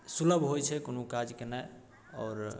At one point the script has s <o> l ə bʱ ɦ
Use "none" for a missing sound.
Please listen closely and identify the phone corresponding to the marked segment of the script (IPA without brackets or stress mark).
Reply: u